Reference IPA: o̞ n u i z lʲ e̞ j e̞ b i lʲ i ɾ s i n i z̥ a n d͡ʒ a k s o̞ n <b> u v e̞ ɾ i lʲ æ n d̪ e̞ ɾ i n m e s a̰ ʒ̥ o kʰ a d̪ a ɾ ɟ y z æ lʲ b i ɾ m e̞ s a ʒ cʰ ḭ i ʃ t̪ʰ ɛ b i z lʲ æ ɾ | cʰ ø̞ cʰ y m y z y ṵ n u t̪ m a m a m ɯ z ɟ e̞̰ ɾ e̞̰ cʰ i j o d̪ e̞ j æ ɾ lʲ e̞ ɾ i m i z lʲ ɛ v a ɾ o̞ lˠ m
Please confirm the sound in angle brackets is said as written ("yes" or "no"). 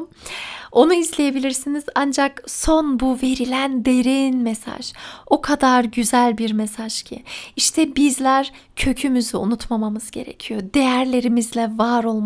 yes